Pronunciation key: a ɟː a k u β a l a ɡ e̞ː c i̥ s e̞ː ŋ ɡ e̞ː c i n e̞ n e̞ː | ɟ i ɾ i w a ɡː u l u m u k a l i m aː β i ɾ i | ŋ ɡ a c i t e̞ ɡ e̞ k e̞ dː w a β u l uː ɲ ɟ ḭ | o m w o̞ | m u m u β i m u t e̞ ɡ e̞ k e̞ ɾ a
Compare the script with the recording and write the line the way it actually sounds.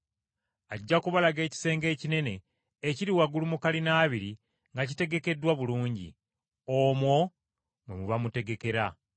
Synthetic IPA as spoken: a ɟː a k u β a l a ɡ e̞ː c i̥ s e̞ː ŋ ɡ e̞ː c i n e̞ n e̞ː | c i ɾ i w a ɡ u l u m u k a l i n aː β i ɾ i | ŋ ɡ a c i t e̞ ɡ e̞ k e̞ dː w a β u l uː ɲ ɟ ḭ | o m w o̞ | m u m u β a m u t e̞ ɡ e̞ k e̞ ɾ a

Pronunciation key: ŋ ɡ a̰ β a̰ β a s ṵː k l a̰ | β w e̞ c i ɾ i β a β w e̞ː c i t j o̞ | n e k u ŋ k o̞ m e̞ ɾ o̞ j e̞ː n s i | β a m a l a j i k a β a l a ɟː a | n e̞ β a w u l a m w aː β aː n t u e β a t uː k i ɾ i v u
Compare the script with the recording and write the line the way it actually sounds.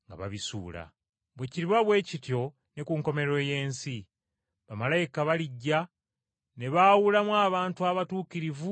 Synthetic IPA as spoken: ŋ ɡ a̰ β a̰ β i s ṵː l a̰ | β w e̞ c i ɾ i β a β w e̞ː c i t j o̞ | n e k u ŋ k o̞ m e̞ ɾ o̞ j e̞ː n s i | β a m a l a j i k a β a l i ɟː a | n e̞ β a w u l a m w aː β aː n t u a β a t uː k i ɾ i v u

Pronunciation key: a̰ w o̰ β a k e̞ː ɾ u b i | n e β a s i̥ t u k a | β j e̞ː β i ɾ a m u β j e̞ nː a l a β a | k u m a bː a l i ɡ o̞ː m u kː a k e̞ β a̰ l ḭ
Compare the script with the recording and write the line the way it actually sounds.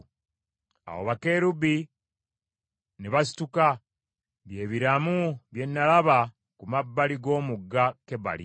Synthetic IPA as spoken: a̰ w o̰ β a k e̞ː ɾ u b i | n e β a s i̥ t u k a | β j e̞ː β i ɾ a m u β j e̞ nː a l a β a | k u m a bː a l i ɡ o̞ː m u ɡː a k e̞ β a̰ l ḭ

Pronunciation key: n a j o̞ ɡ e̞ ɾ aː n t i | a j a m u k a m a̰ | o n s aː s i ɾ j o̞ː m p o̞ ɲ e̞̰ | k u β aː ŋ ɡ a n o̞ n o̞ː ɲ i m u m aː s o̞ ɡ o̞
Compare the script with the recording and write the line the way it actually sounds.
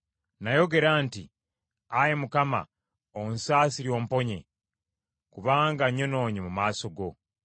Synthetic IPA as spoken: n a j o̞ ɡ e̞ ɾ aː n t i | a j e m u k a m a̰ | o n s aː s i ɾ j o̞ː m p o̞ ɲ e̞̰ | k u β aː ŋ ɡ a ɲ o̞ n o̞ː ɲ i m u m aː s o̞ ɡ o̞

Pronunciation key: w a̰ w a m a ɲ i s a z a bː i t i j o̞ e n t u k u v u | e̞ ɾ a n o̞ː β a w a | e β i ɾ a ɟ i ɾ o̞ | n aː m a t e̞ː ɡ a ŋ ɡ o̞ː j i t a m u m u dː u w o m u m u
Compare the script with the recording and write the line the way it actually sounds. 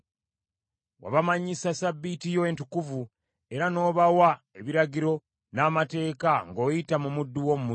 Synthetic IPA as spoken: w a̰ β a m a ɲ i s a s a bː i t i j o̞ e n t u k u v u | e̞ ɾ a n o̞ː β a w a | e β i ɾ a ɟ i ɾ o̞ | n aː m a t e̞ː k a ŋ ɡ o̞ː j i t a m u m u dː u w o m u m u

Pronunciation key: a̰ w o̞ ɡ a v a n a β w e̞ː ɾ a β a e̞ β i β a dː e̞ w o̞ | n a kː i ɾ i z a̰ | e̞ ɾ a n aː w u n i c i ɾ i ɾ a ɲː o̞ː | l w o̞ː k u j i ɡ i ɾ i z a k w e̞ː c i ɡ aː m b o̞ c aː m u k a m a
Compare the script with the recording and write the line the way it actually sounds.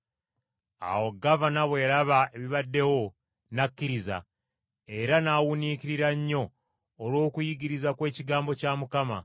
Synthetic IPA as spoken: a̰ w o̞ ɡ a v a n a β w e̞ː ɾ a β a e̞ β i β a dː e̞ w o̞ | n a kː i ɾ i z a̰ | e̞ ɾ a n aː w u n i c i ɾ i ɾ a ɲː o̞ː | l w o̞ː k u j i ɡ i ɾ i z a k w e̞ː c i ɡ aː m b o̞ c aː m u k a m a

